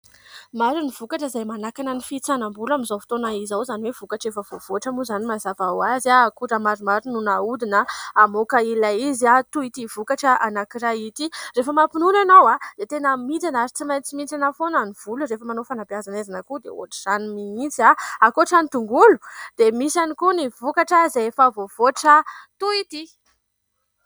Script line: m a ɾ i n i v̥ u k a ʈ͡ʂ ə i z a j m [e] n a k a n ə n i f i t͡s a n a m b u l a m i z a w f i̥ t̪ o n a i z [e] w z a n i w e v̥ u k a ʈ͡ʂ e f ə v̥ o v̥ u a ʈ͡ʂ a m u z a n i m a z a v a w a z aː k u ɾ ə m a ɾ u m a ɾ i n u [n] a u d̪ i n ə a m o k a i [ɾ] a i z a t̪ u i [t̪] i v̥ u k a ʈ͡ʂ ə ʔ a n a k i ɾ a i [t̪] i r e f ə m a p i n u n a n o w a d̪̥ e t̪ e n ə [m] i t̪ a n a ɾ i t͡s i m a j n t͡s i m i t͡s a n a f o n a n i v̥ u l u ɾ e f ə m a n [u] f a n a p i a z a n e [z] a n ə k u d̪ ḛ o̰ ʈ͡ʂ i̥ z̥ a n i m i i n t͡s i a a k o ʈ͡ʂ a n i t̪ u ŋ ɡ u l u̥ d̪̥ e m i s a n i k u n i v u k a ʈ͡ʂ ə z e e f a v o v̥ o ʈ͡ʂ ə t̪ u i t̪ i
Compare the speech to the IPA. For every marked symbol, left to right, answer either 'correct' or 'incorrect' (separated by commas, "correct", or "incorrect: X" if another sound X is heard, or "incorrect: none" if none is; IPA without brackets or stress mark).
incorrect: a, incorrect: a, correct, incorrect: l, correct, correct, correct, incorrect: o, correct